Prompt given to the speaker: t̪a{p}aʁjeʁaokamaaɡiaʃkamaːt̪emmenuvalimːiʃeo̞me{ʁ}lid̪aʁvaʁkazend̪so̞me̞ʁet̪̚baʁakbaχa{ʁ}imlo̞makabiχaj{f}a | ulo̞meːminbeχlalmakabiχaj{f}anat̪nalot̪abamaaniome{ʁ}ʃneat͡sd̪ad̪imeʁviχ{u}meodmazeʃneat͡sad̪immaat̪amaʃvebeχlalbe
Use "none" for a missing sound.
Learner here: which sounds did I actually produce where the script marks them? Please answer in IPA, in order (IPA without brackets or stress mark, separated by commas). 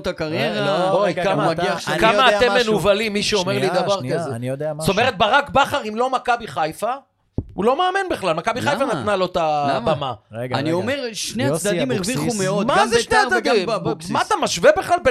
k, ʁ, ʁ, f, f, ʁ, u